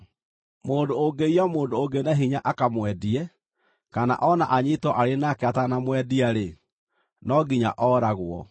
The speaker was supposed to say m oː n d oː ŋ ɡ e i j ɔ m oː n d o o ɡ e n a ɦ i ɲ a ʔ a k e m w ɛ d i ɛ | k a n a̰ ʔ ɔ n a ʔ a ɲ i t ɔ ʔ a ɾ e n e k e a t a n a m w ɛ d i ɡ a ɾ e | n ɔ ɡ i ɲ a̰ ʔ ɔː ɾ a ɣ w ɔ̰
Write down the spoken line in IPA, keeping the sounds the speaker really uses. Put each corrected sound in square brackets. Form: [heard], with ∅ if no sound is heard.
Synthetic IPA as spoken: m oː n d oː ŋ ɡ e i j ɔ m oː n d o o ɡ e n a ɦ i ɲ a ʔ a k [a] m w ɛ d i ɛ | k a n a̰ ʔ ɔ n a ʔ a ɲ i t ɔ ʔ a ɾ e n [a] k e a t a n a m w ɛ d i [∅] a ɾ e | n ɔ ɡ i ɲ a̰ ʔ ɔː ɾ a ɣ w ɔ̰